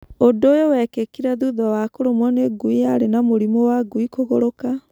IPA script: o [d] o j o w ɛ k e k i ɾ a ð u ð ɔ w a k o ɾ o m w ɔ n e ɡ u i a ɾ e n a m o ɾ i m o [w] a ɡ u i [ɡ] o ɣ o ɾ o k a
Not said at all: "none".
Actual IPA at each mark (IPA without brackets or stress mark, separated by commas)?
d, w, k